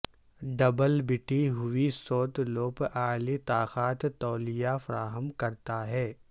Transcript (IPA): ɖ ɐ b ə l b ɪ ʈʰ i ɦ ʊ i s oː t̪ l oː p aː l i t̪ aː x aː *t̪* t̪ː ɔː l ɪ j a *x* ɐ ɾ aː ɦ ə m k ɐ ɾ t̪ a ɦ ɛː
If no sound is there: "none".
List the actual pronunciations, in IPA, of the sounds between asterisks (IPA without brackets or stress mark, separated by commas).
t̪, f